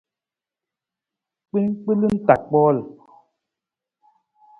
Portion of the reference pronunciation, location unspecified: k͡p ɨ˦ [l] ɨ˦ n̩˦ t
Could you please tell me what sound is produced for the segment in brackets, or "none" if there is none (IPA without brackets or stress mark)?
l